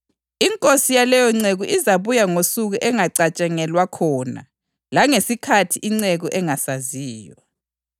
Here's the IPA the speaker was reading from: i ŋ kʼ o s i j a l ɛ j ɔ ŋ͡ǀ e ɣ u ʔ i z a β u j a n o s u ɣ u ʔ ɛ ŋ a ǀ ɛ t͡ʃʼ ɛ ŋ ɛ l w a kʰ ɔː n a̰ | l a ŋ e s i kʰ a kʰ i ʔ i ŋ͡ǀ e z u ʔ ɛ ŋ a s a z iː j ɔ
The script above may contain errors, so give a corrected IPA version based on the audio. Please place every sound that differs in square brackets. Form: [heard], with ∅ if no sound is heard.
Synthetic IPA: i ŋ kʼ o s i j a l ɛ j ɔ ŋ͡ǀ e ɣ u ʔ i z a β u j a [ŋ] o s u ɣ u ʔ ɛ ŋ a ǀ [a] t͡ʃʼ ɛ ŋ ɛ l w a kʰ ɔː n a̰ | l a ŋ e s i kʰ a [tʰ] i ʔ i ŋ͡ǀ e [ɣ] u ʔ ɛ ŋ a s a z iː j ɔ